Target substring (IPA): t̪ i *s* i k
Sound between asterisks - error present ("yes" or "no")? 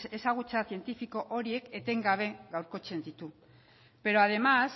yes